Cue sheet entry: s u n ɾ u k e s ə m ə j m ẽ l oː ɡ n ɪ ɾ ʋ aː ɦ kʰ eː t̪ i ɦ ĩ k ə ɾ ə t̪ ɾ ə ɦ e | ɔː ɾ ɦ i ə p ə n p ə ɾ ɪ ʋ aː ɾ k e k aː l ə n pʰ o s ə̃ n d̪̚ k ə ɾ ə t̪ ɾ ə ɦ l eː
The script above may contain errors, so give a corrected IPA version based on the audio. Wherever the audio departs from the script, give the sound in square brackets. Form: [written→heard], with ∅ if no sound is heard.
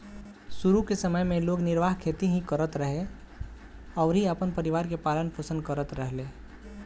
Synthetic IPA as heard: s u [n→∅] ɾ u k e s ə m ə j m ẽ l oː ɡ n ɪ ɾ ʋ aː ɦ kʰ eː t̪ i ɦ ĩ k ə ɾ ə t̪ ɾ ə ɦ e | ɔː ɾ ɦ i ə p ə n p ə ɾ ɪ ʋ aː ɾ k e [k→p] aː l ə n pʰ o s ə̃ n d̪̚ k ə ɾ ə t̪ ɾ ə ɦ l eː